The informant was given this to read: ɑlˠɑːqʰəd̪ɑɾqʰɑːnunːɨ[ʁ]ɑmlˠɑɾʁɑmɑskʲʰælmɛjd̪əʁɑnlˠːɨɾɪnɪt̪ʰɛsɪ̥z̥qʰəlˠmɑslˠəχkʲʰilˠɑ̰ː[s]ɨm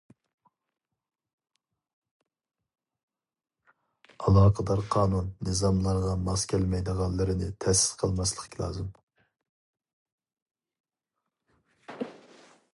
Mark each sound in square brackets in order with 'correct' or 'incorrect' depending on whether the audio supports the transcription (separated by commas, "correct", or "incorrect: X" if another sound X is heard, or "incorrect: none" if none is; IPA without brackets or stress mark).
incorrect: z, incorrect: z